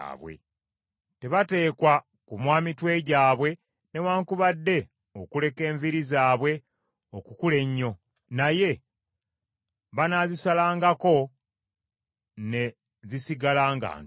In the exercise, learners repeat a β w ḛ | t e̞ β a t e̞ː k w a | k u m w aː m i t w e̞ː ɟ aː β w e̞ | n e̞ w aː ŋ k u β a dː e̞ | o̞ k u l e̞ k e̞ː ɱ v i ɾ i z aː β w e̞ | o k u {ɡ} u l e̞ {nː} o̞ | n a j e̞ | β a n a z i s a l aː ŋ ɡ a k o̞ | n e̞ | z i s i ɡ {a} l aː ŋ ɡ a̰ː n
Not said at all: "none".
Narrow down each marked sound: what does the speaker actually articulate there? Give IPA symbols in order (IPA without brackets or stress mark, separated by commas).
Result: k, ɲː, a